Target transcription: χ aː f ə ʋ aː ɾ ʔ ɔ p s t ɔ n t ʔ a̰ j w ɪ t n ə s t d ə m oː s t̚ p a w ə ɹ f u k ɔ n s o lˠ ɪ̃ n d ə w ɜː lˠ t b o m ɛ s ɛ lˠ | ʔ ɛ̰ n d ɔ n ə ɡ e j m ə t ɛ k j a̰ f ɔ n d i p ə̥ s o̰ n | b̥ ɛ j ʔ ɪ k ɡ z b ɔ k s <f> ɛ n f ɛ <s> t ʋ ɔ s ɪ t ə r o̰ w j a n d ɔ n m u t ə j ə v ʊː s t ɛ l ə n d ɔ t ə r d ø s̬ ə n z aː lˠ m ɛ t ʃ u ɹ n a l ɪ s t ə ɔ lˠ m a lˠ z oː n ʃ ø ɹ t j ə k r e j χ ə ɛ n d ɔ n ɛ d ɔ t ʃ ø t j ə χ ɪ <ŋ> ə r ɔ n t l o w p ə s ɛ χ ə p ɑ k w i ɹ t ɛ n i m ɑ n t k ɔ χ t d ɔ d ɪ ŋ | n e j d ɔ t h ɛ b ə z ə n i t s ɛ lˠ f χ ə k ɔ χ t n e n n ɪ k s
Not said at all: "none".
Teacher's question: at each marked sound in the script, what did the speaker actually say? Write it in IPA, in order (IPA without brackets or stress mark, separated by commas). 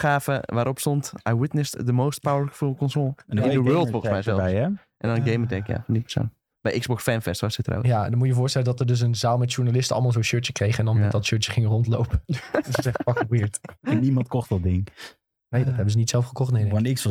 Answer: f, s, ŋ